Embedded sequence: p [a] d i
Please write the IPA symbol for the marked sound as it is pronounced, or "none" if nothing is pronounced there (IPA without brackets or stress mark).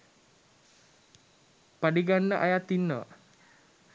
a